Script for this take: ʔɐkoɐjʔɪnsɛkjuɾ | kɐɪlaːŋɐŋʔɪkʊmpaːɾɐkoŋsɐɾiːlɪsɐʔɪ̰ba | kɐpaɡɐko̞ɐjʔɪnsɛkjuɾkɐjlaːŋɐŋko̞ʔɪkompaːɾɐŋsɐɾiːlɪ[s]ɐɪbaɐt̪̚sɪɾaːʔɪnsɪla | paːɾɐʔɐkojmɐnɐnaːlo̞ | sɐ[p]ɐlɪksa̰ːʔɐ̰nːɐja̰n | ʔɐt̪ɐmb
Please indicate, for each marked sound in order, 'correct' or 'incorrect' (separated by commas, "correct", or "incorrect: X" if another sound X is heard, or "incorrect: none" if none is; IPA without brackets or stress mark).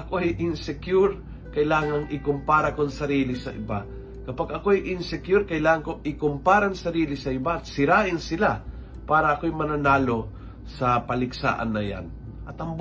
correct, correct